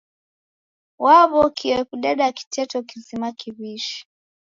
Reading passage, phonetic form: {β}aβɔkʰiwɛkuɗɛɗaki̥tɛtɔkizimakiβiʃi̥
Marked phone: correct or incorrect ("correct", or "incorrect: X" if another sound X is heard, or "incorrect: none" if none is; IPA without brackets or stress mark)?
incorrect: w